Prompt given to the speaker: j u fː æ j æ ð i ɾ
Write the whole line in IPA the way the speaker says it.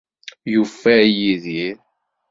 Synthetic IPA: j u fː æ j i ð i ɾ